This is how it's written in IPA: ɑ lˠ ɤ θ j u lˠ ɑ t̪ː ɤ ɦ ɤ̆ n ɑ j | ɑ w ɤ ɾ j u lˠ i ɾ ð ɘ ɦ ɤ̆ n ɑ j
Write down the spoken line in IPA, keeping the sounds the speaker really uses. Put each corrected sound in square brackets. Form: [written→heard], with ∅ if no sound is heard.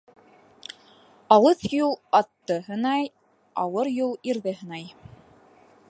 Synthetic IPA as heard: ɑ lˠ ɤ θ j u lˠ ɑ t̪ː ɤ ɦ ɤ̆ n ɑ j | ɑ w ɤ ɾ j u lˠ i ɾ ð ɘ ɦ ɤ̆ n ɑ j